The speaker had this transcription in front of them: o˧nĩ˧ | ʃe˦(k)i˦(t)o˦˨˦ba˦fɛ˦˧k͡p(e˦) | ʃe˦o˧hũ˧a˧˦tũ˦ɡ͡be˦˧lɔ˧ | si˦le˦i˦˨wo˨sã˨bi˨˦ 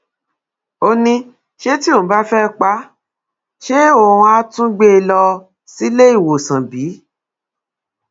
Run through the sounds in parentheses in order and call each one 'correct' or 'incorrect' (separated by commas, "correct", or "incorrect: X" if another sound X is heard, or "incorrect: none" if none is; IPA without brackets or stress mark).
incorrect: t, incorrect: none, incorrect: a˦